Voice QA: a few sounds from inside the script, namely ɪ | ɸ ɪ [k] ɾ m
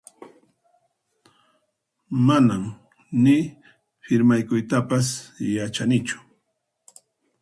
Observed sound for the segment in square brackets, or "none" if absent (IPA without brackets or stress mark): none